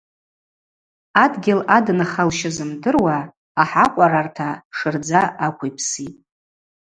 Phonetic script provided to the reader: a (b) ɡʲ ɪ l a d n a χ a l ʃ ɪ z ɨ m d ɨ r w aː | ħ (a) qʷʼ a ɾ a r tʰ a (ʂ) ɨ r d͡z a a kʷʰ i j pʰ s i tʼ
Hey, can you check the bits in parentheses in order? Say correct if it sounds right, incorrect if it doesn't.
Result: incorrect: d, correct, correct

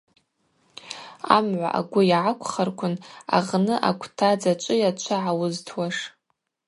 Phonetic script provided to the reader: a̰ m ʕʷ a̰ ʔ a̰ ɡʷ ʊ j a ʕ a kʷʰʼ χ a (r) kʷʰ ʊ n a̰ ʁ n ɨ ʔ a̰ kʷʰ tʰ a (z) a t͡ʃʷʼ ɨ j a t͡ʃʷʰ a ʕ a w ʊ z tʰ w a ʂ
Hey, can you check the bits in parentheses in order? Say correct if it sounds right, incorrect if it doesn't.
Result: correct, incorrect: d͡z

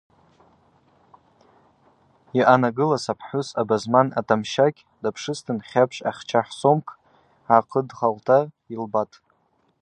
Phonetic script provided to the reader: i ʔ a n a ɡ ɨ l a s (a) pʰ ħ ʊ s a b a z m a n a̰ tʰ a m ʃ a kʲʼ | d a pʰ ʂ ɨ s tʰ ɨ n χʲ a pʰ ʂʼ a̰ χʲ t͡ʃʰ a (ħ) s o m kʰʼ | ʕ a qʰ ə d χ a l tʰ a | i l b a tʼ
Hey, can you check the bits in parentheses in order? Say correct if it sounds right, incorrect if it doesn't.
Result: correct, correct

